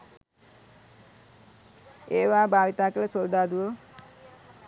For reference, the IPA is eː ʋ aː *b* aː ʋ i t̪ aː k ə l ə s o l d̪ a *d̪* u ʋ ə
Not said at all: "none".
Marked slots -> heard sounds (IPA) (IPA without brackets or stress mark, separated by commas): b, d̪